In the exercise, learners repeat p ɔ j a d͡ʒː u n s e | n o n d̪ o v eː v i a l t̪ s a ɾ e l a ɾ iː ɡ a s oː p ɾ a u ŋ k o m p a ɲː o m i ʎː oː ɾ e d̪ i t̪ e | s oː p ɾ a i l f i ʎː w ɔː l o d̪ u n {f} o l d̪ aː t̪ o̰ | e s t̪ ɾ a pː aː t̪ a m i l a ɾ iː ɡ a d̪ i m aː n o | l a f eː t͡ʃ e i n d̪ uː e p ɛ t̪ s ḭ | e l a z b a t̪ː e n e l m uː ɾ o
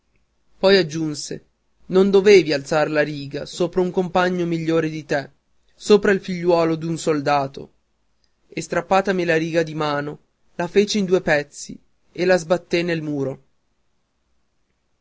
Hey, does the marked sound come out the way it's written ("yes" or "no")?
no